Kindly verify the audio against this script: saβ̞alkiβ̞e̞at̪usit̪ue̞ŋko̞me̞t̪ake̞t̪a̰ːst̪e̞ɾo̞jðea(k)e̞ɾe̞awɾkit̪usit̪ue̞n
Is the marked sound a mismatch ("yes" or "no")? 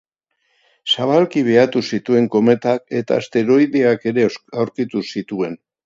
no